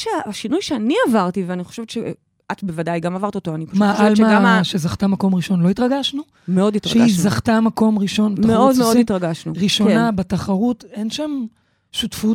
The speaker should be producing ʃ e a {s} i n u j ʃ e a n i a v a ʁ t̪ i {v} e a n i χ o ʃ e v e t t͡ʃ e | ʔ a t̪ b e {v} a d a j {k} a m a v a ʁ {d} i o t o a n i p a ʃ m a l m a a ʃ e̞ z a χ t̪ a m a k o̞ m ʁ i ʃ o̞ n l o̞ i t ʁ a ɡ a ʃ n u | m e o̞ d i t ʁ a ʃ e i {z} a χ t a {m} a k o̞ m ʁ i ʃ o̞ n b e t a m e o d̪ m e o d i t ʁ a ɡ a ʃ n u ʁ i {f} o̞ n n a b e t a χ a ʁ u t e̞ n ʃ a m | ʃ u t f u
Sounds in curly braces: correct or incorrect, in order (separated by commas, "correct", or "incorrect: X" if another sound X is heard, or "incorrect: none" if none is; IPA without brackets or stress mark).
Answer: incorrect: ʃ, correct, correct, incorrect: ɡ, incorrect: t, correct, correct, incorrect: ʃ